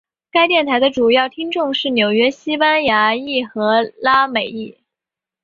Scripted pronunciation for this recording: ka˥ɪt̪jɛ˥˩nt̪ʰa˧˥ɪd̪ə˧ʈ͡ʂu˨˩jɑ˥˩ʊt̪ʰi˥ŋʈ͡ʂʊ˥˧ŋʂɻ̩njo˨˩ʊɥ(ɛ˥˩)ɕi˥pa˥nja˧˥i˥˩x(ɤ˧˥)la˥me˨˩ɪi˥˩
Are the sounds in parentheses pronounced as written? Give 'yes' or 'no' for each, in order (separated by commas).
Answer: no, yes